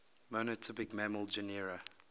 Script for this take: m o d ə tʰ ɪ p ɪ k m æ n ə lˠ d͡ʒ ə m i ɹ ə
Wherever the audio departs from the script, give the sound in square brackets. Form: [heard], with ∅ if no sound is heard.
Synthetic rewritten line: m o [n] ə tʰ ɪ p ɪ k m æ [m] ə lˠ d͡ʒ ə [n] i ɹ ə